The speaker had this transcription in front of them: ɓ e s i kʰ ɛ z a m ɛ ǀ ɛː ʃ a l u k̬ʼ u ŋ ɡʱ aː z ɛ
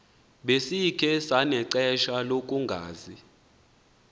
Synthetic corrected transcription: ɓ e s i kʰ ɛ s a n ɛ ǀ ɛ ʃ a l o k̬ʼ u ŋ ɡʱ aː z i